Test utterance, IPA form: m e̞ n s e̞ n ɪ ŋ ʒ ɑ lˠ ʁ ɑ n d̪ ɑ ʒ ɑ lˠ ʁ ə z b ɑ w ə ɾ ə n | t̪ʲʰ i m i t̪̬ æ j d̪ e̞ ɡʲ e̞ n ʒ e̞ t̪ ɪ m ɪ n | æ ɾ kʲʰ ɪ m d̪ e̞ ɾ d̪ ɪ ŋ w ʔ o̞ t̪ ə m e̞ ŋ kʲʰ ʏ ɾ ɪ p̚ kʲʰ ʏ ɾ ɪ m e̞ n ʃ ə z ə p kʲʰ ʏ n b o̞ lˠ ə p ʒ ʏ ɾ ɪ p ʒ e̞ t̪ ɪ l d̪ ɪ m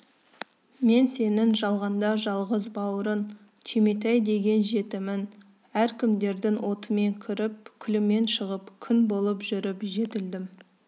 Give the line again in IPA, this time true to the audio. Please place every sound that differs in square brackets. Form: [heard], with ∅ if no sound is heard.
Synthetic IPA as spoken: m e̞ n s e̞ n ɪ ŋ ʒ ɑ lˠ ʁ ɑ n d̪ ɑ ʒ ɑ lˠ ʁ ə z b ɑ w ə ɾ ə n | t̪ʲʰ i m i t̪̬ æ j d̪ e̞ ɡʲ e̞ n ʒ e̞ t̪ ɪ m ɪ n | æ ɾ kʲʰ ɪ m d̪ e̞ ɾ d̪ ɪ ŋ w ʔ o̞ t̪ ə m e̞ ŋ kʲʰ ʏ ɾ ɪ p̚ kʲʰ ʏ [l] ɪ m e̞ n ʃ ə [ʁ] ə p kʲʰ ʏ n b o̞ lˠ ə p ʒ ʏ ɾ ɪ p ʒ e̞ t̪ ɪ l d̪ ɪ m